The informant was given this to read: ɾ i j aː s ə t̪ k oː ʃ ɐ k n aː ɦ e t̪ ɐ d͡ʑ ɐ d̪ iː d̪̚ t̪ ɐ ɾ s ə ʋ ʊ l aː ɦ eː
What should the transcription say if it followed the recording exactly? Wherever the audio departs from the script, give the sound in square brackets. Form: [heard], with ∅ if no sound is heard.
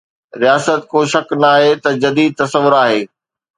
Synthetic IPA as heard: ɾ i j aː s ə t̪ k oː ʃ ɐ k n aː ɦ e t̪ ɐ d͡ʑ ɐ d̪ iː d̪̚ t̪ ɐ [∅] s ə ʋ ʊ [ɾ] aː ɦ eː